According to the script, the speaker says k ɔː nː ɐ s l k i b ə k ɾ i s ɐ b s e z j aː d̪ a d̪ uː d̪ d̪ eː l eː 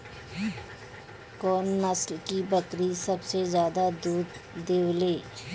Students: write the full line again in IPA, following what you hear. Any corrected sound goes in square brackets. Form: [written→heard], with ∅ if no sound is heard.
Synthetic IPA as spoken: k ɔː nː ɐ s l k i b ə k ɾ i s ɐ b s e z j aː d̪ a d̪ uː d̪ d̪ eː l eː